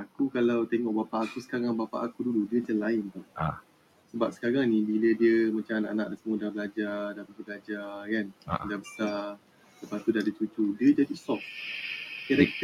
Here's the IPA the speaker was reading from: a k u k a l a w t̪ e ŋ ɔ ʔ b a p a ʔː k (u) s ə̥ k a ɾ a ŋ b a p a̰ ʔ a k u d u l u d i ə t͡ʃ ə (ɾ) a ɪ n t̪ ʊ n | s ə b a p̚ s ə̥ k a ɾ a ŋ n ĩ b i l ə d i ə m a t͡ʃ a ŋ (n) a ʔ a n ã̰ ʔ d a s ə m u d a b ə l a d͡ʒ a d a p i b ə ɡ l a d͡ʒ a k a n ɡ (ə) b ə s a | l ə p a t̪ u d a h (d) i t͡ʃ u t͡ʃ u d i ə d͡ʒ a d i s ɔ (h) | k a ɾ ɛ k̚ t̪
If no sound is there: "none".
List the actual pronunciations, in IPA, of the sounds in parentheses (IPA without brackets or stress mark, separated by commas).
u, l, n, a, d, f